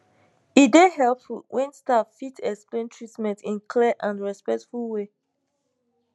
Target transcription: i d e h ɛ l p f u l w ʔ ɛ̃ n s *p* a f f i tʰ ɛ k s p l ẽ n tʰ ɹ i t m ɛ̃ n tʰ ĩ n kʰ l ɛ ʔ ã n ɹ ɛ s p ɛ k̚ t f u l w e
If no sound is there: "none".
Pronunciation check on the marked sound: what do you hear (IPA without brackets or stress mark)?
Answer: t